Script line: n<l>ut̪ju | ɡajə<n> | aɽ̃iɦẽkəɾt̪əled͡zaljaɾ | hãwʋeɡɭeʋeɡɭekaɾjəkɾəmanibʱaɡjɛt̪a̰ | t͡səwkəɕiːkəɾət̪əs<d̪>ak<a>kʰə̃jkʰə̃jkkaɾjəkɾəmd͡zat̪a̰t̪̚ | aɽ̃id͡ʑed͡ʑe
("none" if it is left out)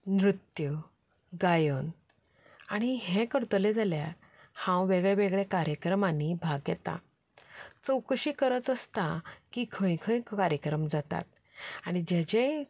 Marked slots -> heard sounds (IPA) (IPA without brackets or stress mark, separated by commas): ɾ, n, t̪, i